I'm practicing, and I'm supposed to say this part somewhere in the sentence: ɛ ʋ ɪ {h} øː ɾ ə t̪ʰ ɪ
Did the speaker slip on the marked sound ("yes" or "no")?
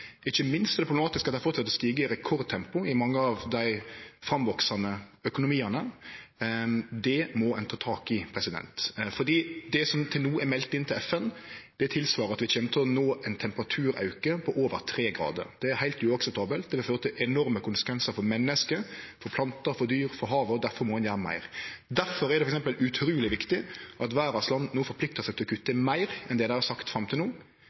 yes